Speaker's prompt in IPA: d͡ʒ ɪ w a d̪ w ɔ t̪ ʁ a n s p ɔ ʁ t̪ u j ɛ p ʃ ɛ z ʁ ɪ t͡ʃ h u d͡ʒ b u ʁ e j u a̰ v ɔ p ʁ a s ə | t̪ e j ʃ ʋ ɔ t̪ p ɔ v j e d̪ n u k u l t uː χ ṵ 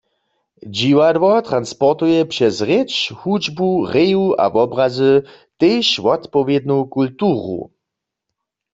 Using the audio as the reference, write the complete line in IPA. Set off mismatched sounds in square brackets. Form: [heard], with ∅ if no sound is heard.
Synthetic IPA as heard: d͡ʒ [i] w a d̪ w ɔ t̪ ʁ a n s p ɔ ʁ t̪ u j ɛ p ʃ ɛ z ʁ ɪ t͡ʃ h u d͡ʒ b u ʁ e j u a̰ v ɔ [b] ʁ a [z] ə | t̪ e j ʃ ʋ ɔ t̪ p ɔ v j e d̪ n u k u l t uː [ʁ] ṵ